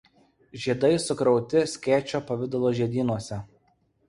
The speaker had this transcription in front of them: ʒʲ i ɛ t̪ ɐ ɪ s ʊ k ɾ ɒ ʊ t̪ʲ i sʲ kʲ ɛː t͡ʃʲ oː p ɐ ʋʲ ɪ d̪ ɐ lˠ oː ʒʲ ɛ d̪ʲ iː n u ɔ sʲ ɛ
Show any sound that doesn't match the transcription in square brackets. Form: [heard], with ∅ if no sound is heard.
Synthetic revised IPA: ʒʲ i ɛ [d̪] ɐ ɪ s ʊ k ɾ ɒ ʊ t̪ʲ [ɪ] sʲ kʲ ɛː t͡ʃʲ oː p ɐ ʋʲ ɪ d̪ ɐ lˠ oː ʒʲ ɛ d̪ʲ iː n u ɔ sʲ ɛ